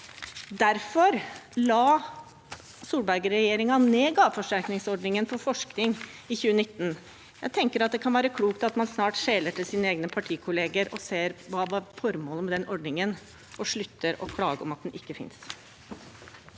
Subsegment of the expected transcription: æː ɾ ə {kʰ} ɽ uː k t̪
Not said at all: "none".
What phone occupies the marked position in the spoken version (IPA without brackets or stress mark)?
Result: kʰ